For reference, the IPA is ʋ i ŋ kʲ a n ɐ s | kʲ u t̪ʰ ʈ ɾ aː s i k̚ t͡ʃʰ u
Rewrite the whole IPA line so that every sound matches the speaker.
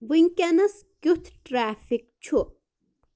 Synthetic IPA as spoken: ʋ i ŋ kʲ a n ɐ s | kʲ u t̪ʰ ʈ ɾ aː f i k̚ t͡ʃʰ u